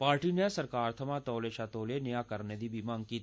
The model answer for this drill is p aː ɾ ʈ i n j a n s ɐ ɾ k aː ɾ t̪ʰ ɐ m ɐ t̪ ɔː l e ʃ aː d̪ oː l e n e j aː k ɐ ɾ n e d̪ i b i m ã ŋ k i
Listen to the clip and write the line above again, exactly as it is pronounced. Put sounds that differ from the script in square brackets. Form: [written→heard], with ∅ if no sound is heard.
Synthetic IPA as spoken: p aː ɾ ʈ i n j a [n→∅] s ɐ ɾ k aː ɾ t̪ʰ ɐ m [ɐ→a] t̪ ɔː l e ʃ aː [d̪→t̪] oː l e n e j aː k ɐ ɾ n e d̪ i b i m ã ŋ k i